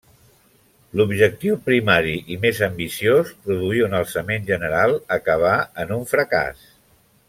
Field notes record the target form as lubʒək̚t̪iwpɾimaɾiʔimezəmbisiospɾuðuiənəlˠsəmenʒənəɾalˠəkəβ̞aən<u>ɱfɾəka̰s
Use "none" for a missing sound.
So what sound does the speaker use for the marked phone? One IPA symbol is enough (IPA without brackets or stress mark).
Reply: u